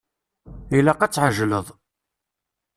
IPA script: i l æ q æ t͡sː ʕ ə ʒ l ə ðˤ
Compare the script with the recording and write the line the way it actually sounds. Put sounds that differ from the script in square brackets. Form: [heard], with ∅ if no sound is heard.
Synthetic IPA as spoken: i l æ q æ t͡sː ʕ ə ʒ l ə ðˤ